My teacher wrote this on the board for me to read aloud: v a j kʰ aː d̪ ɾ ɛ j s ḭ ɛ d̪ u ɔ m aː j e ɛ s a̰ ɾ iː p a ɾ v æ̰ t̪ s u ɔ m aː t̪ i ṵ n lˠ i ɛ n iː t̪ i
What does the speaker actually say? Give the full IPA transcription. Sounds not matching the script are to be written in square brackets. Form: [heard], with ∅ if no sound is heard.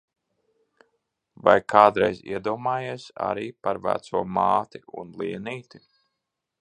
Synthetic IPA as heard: v a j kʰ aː d̪ ɾ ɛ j [z] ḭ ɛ d̪ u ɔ m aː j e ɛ s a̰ ɾ iː p a ɾ v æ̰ t̪ s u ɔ m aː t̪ i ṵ n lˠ i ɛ n iː t̪ i

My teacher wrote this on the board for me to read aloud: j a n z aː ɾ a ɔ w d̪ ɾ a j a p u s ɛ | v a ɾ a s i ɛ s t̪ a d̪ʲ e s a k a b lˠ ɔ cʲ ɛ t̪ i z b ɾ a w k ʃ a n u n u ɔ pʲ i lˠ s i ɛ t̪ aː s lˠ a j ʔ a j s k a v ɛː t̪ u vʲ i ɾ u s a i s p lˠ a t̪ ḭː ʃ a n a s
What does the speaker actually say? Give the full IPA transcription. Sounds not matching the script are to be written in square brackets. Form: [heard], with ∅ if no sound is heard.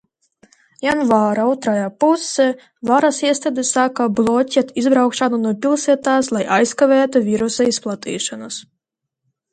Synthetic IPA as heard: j a n [v] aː ɾ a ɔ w [t̪] ɾ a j a p u s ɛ | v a ɾ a s i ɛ s t̪ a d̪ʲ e s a k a b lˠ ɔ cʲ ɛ t̪ i z b ɾ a w k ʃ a n u n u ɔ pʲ i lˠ s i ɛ t̪ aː s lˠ a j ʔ a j s k a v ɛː t̪ u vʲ i ɾ u s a i s p lˠ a t̪ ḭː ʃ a n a s

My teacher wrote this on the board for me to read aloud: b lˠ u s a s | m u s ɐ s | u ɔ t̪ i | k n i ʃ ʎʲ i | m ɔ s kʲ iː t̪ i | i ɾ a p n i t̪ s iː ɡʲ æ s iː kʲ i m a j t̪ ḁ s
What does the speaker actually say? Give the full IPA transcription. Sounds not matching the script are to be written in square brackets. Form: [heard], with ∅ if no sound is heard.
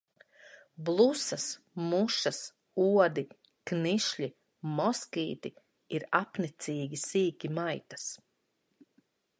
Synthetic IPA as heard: b lˠ u s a s | m u [ʃ] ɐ s | u ɔ [d̪] i | k n i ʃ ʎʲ i | m ɔ s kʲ iː t̪ i | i ɾ a p n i t̪ s iː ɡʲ [i] s iː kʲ i m a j t̪ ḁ s

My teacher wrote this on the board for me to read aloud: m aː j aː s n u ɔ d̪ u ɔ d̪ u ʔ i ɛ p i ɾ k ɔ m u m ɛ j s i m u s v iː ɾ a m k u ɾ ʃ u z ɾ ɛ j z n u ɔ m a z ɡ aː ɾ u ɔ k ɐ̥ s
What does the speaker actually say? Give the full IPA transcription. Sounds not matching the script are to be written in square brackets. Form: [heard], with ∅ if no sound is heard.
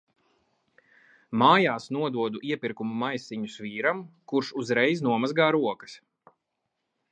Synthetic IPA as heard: m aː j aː s n u ɔ d̪ u ɔ d̪ u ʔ i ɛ p i ɾ k [u] m u m [a] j s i [ɲ] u s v iː ɾ a m k u ɾ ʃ u z ɾ ɛ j z n u ɔ m a z ɡ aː ɾ u ɔ k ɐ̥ s

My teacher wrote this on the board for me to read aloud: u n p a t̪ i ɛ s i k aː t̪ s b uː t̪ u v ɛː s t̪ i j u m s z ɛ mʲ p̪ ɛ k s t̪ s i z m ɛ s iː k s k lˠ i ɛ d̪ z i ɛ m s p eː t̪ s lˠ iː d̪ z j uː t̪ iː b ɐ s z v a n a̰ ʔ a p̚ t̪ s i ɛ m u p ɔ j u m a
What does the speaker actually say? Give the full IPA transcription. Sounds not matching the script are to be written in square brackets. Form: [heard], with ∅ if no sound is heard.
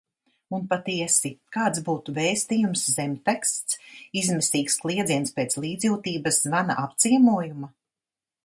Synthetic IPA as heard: u n p a t̪ i ɛ s i k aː t̪ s b uː t̪ u v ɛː s t̪ i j u m s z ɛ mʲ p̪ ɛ k s t̪ s i z m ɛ s iː k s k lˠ i ɛ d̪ z i ɛ [n] s p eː t̪ s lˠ iː d̪ z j uː t̪ iː b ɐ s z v a n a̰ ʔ a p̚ t̪ s i ɛ m u [∅] ɔ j u m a

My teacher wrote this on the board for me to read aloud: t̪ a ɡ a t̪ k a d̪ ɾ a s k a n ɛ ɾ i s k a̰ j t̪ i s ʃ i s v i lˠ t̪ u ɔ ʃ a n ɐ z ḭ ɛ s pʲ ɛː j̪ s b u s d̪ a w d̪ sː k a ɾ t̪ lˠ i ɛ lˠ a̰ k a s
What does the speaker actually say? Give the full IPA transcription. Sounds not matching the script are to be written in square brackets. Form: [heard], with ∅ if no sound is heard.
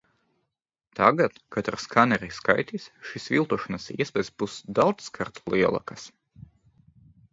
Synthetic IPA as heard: t̪ a ɡ a t̪ k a [t̪] ɾ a s k a n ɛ ɾ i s k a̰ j t̪ i s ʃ i s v i lˠ t̪ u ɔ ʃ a n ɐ [s] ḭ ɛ s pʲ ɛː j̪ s b u s d̪ a w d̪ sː k a ɾ t̪ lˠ i ɛ lˠ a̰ k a s

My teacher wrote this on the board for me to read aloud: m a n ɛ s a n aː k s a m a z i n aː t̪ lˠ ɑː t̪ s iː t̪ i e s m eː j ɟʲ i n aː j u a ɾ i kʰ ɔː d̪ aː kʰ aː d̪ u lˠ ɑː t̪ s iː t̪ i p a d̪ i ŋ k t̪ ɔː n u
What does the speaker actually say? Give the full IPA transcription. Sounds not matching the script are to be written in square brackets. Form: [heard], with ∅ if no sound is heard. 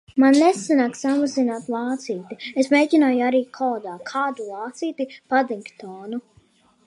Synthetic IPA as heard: m a [nː] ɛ s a n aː k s a m a z i n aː t̪ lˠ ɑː t̪ s iː t̪ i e s m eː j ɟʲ i n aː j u a ɾ [iː] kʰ ɔː d̪ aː kʰ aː d̪ u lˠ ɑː t̪ s iː t̪ i p a d̪ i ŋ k t̪ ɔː n u

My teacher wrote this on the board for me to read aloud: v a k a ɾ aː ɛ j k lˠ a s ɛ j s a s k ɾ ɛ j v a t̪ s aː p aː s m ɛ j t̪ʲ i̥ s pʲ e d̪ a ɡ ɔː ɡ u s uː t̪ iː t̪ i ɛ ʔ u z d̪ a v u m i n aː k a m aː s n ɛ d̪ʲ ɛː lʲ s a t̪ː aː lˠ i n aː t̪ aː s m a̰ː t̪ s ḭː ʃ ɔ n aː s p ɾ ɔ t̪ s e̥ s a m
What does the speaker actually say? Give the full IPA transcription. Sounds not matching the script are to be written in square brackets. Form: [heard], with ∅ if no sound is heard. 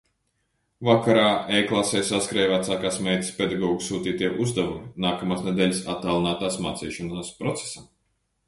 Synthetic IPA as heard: v a k a ɾ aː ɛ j k lˠ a s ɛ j s a s k ɾ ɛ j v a t̪ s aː [k] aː s m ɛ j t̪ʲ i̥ s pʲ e d̪ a ɡ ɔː ɡ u s uː t̪ iː t̪ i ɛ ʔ u z d̪ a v u m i n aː k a m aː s n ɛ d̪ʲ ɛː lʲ s a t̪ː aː lˠ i n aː t̪ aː s m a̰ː t̪ s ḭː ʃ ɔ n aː s p ɾ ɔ t̪ s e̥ s a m

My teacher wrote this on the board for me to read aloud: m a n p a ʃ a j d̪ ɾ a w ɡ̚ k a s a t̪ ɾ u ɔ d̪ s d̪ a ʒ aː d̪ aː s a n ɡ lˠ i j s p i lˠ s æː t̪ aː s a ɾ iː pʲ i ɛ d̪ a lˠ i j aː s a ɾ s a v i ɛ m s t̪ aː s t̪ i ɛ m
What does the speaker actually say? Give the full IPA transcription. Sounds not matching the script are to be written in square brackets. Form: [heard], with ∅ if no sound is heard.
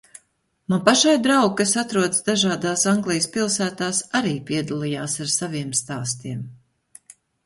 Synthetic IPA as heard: m a n p a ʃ a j d̪ ɾ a w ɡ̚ k a s a t̪ ɾ u ɔ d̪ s d̪ a ʒ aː d̪ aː s a [ŋ] ɡ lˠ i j s p i lˠ s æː t̪ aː s a ɾ iː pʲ i ɛ d̪ a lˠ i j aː s a ɾ s a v i ɛ m s t̪ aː s t̪ i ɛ m

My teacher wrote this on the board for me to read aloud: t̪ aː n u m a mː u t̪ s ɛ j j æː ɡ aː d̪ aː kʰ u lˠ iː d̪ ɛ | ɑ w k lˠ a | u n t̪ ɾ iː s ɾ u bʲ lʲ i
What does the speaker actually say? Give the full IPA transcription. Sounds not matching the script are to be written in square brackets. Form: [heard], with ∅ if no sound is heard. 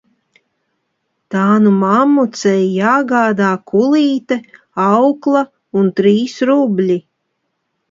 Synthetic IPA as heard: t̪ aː n u m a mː u t̪ s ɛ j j [aː] ɡ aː d̪ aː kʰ u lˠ iː [t̪] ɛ | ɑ w k lˠ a | u n t̪ ɾ iː s ɾ u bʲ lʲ i

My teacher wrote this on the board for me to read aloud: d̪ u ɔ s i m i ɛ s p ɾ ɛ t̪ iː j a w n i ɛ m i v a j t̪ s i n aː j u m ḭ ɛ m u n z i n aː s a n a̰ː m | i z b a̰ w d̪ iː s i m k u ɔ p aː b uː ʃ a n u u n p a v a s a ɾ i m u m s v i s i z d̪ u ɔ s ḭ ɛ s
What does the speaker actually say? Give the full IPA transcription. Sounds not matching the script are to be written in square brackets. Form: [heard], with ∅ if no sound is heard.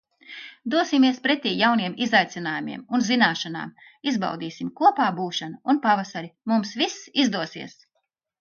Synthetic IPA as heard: d̪ u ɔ s i m i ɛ s p ɾ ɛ t̪ iː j a w n i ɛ m i [z] a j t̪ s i n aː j u m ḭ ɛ m u n z i n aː [ʃ] a n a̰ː m | i z b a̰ w d̪ iː s i m k u ɔ p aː b uː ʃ a n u u n p a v a s a ɾ i m u m s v i s i z d̪ u ɔ s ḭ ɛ s

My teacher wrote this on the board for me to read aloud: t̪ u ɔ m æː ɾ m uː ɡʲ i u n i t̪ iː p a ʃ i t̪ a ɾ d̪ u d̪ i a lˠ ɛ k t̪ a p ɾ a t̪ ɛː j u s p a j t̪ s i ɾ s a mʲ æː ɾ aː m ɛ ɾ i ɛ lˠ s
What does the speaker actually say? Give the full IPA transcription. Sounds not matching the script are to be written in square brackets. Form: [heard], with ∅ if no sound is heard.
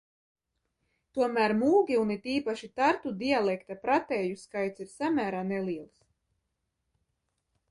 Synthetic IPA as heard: t̪ u ɔ m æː ɾ m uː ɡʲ i u n i t̪ iː p a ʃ i t̪ a ɾ [t̪] u d̪ i a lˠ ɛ k t̪ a p ɾ a t̪ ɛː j u s [k] a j t̪ s i ɾ s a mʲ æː ɾ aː [n] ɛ [l] i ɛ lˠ s

